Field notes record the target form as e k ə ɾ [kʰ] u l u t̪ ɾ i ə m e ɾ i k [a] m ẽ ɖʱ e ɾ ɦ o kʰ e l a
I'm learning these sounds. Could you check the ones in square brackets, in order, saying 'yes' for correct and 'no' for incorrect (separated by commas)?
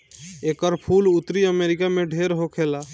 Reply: no, yes